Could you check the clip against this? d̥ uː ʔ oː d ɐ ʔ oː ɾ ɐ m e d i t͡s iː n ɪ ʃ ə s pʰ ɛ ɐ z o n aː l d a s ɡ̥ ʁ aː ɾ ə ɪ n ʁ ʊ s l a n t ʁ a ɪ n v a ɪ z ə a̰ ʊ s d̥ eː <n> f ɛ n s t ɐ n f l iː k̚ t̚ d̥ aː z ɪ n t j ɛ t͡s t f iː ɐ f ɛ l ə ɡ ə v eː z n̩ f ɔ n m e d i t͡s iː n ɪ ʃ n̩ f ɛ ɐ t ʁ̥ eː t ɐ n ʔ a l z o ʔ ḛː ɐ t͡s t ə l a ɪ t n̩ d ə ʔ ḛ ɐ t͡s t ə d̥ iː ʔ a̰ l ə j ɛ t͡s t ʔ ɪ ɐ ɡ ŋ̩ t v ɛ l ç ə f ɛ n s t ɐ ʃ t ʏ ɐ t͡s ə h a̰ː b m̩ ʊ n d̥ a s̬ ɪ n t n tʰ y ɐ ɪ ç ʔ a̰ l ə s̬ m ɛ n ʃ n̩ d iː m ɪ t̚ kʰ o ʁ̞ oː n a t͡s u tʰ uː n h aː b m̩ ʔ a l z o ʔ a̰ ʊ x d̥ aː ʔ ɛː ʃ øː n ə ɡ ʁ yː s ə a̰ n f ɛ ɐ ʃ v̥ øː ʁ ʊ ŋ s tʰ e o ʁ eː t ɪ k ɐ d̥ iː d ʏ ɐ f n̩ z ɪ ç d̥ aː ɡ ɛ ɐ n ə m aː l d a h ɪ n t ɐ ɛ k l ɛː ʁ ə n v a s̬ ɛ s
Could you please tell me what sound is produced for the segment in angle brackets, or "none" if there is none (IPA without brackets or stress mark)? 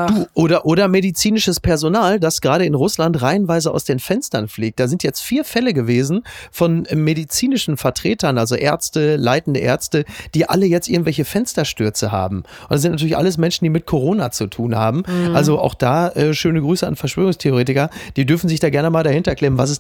n